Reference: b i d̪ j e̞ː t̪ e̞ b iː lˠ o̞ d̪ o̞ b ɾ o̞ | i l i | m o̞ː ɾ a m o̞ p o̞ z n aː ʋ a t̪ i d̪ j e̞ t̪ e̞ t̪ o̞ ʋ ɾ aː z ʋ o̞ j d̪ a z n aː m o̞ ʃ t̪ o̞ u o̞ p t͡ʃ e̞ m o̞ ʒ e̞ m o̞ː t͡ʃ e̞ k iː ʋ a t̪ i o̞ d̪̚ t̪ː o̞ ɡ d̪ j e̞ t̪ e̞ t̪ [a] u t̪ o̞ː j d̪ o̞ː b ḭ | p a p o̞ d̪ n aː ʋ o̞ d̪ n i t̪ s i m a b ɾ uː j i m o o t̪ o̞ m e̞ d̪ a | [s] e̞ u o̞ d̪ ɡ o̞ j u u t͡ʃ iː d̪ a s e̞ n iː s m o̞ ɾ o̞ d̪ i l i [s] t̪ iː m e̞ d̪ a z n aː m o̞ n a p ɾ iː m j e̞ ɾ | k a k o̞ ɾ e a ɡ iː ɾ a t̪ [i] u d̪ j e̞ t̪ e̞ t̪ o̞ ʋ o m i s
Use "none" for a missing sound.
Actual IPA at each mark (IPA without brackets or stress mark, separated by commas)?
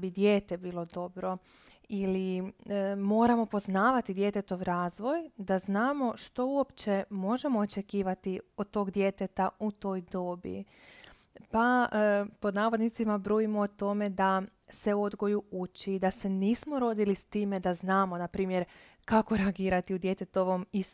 a, s, s, i